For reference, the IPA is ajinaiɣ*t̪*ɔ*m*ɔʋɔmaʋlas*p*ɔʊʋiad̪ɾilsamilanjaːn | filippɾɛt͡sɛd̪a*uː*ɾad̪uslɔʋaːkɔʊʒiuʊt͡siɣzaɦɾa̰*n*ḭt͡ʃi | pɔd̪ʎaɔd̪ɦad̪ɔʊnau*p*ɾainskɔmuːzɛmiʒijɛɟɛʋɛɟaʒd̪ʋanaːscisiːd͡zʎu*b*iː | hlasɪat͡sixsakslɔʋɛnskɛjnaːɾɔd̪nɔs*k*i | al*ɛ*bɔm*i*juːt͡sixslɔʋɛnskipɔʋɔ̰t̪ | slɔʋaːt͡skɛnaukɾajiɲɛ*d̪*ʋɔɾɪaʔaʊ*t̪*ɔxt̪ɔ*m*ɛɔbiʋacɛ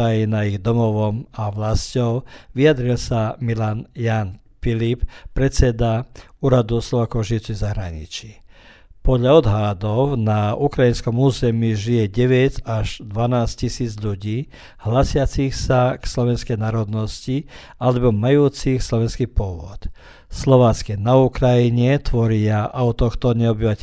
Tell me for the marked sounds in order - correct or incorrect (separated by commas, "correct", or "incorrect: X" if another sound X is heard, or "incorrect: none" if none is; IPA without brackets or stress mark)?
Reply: incorrect: d̪, correct, incorrect: c, correct, incorrect: ɲ, incorrect: k, incorrect: ɟ, incorrect: c, correct, incorrect: a, incorrect: t̪, correct, incorrect: ɲ